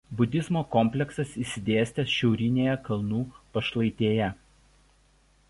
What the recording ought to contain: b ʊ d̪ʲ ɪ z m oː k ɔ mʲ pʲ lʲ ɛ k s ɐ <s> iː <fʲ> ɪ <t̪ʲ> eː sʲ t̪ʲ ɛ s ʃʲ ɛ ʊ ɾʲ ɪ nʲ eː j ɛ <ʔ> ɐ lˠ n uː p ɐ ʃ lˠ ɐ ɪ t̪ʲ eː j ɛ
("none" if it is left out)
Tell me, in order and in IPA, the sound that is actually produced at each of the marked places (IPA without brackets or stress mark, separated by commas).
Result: s, sʲ, d̪ʲ, k